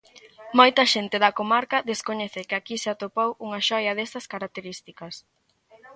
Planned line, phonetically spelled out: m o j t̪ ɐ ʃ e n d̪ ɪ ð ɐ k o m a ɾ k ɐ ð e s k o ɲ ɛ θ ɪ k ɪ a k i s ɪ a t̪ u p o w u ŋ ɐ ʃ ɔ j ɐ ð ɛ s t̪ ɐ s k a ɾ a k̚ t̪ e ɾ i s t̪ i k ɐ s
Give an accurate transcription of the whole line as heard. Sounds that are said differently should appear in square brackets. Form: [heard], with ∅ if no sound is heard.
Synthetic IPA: m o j t̪ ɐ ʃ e n [t̪] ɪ ð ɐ k o m a ɾ k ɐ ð e s k o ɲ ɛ θ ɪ k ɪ a k i s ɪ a t̪ [o] p o w u ŋ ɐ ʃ ɔ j ɐ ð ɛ s t̪ ɐ s k a ɾ a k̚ t̪ e ɾ i s t̪ i k ɐ s

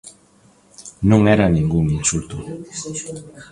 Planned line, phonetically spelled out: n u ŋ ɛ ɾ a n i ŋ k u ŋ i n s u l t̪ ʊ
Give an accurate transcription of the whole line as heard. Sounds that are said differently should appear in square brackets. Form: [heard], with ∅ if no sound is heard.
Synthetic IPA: n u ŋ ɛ ɾ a n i ŋ [ɡ] u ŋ i n s u l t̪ [u]

